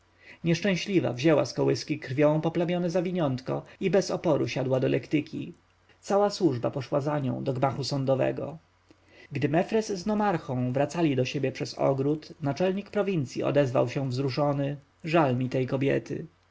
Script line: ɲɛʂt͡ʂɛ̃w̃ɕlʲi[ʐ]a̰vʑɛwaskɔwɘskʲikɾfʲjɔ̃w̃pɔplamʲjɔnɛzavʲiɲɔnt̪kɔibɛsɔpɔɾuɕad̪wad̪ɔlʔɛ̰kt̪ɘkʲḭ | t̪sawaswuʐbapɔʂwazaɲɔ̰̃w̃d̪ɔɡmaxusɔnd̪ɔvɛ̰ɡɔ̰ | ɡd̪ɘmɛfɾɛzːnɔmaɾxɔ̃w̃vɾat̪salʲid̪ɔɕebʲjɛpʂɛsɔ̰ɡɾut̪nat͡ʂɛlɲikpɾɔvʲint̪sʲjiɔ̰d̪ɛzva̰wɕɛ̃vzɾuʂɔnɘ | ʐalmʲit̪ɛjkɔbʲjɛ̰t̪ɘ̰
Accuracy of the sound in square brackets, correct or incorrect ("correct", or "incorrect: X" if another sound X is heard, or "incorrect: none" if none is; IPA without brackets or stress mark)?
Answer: incorrect: v